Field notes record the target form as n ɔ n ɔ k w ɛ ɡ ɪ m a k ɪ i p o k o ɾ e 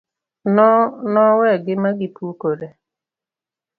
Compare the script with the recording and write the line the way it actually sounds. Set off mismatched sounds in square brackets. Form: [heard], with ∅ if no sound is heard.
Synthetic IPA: n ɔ n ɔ [∅] w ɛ ɡ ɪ m a [ɡ] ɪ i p [u] k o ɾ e